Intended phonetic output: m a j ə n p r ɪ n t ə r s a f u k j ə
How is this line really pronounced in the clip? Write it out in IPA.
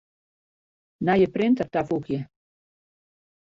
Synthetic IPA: n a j ə p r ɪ n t ə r t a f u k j ə